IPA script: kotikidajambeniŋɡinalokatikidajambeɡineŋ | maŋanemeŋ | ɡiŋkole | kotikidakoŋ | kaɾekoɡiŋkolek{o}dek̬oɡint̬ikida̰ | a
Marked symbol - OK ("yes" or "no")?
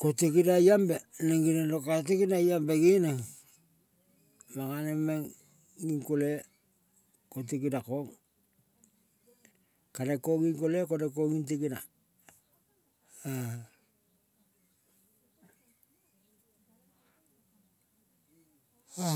yes